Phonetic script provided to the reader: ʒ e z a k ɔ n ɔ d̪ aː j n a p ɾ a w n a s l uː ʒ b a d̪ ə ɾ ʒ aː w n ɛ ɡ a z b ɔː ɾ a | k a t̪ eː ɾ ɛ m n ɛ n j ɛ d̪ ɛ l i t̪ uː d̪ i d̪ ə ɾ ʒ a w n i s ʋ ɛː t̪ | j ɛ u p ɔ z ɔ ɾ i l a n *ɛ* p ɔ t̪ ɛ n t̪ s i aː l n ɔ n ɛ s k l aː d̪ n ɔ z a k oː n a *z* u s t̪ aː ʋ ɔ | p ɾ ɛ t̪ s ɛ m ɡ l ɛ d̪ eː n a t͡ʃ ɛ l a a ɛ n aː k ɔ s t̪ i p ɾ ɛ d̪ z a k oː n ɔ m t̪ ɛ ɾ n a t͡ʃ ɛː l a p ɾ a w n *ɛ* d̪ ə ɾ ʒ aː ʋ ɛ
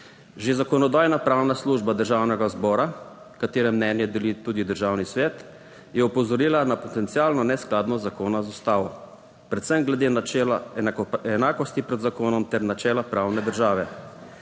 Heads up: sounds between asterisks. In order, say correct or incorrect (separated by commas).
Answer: incorrect, correct, correct